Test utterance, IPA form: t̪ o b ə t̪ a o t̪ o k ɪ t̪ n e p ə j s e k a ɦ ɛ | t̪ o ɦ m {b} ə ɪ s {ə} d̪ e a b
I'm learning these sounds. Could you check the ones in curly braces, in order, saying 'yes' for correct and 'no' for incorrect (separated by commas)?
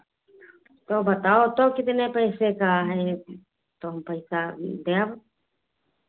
no, no